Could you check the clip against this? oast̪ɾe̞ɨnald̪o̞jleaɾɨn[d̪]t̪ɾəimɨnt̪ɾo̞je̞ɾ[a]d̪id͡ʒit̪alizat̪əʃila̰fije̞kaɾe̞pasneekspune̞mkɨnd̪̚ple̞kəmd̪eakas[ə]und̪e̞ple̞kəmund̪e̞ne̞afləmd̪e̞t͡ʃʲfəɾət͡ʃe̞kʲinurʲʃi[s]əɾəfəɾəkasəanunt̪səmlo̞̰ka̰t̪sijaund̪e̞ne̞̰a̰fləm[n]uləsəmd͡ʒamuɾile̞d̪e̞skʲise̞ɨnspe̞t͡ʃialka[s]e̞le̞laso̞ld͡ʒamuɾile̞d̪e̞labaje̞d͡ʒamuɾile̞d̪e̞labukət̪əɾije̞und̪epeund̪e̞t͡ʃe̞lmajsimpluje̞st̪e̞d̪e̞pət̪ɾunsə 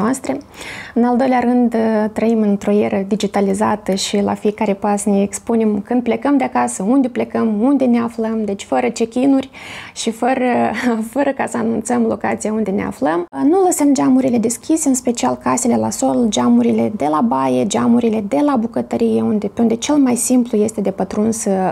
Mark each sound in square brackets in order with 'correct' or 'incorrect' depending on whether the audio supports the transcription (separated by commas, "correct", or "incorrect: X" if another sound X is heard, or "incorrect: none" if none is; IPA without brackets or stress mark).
correct, incorrect: ə, correct, incorrect: f, correct, correct